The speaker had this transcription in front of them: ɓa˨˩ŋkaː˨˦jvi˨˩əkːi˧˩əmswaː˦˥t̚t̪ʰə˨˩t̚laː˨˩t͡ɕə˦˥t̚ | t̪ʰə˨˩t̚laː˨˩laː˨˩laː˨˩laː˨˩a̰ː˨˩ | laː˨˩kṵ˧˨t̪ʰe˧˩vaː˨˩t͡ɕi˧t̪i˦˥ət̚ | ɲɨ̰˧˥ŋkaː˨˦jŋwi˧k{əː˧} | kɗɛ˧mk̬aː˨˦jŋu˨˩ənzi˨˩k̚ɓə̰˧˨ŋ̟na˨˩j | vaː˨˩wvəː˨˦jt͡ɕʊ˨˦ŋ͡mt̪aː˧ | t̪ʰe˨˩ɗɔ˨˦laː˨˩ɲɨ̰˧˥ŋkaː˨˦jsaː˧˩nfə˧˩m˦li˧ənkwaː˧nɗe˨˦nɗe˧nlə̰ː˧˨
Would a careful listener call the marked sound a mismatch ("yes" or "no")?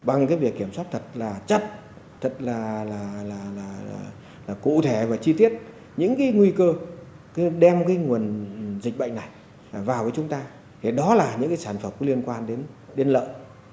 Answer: no